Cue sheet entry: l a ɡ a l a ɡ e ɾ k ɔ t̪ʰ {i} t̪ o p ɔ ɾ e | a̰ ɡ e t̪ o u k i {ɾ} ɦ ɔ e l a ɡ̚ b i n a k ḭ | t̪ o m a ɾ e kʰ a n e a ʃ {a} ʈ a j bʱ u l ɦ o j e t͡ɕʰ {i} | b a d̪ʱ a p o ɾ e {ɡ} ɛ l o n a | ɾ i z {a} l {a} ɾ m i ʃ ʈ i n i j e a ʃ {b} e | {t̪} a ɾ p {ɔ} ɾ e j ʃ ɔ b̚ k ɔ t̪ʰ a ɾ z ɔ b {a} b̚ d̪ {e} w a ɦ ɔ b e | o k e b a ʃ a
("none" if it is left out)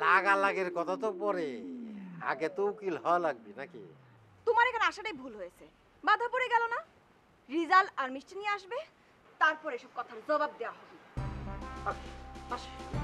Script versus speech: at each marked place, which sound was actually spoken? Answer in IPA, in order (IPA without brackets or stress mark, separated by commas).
a, l, a, e, ɡ, a, a, b, t̪, ɔ, a, e